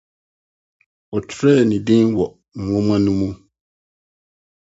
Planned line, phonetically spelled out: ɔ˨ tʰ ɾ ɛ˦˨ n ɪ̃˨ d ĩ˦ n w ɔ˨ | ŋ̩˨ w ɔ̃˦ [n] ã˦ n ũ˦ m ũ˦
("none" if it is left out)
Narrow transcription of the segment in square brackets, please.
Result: m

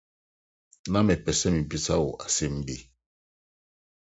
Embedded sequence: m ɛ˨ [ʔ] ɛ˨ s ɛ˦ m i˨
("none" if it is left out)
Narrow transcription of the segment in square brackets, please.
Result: p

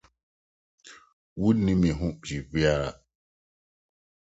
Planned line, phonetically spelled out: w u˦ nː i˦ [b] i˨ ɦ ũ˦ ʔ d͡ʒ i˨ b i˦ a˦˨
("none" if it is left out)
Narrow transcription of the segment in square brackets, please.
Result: m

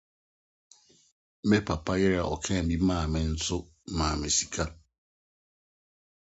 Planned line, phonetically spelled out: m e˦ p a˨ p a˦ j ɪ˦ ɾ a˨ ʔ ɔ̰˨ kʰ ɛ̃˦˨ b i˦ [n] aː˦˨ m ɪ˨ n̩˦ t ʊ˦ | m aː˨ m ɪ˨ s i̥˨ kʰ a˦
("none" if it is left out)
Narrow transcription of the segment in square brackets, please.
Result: m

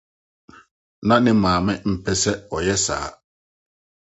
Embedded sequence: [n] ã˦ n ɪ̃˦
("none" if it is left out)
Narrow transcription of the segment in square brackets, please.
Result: n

